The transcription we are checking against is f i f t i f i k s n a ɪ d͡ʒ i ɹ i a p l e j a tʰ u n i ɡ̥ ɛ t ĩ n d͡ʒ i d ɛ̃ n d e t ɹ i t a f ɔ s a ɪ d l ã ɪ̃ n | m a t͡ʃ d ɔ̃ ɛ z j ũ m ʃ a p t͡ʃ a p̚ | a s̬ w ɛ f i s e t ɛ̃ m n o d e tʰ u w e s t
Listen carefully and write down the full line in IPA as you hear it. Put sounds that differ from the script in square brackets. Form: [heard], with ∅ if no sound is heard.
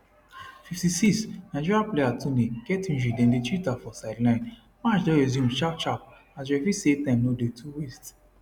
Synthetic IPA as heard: f i f t i [s] i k s n a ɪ d͡ʒ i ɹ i a p l e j a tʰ u n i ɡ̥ ɛ t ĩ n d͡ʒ i d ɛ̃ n d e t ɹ i t a f ɔ s a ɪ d l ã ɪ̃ n | m a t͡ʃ d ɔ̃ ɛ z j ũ m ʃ a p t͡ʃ a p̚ | a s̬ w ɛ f i s e t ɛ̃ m n o d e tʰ u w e s t